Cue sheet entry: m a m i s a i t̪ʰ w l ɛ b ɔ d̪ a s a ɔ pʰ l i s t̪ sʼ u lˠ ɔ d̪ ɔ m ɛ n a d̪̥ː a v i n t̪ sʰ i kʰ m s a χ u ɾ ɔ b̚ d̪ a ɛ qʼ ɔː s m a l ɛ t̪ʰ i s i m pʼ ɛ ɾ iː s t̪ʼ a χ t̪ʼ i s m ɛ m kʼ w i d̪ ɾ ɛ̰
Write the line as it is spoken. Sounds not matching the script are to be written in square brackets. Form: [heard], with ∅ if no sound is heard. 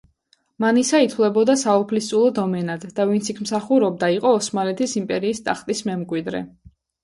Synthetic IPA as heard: m a [n] i s a i t̪ʰ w l ɛ b ɔ d̪ a s a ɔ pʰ l i s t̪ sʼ u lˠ ɔ d̪ ɔ m ɛ n a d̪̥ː a v i n t̪ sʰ i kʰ m s a χ u ɾ ɔ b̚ d̪ a [i] qʼ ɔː s m a l ɛ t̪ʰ i s i m pʼ ɛ ɾ iː s t̪ʼ a χ t̪ʼ i s m ɛ m kʼ w i d̪ ɾ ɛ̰